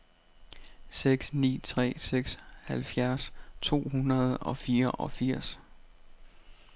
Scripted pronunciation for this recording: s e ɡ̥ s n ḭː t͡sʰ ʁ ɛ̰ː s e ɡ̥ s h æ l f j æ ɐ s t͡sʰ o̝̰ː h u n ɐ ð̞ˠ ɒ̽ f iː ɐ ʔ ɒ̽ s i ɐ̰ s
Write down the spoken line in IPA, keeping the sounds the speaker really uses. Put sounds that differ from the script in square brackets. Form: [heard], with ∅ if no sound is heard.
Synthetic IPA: s e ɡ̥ s n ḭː t͡sʰ ʁ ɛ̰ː s e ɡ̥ s h æ l f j æ ɐ s t͡sʰ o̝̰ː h u n ɐ ð̞ˠ ɒ̽ f iː ɐ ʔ ɒ̽ [f] i ɐ̰ s